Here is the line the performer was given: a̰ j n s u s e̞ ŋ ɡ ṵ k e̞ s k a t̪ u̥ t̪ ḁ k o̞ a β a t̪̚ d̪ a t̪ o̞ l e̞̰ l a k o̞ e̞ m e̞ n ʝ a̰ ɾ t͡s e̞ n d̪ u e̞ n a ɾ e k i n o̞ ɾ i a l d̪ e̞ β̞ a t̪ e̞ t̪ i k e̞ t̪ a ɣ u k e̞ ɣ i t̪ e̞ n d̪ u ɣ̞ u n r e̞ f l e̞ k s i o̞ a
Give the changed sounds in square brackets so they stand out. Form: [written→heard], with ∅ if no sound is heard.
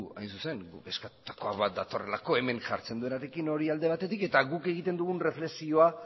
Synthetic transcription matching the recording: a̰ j n s u s e̞ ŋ ɡ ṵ k e̞ s k a t̪ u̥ t̪ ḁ k o̞ a β a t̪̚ d̪ a t̪ o̞ [l→r] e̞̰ l a k o̞ e̞ m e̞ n ʝ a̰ ɾ t͡s e̞ n d̪ u e̞ n a ɾ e k i n o̞ ɾ i a l d̪ e̞ β̞ a t̪ e̞ t̪ i k e̞ t̪ a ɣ u k e̞ ɣ i t̪ e̞ n d̪ u ɣ̞ u n r e̞ f l e̞ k s i o̞ a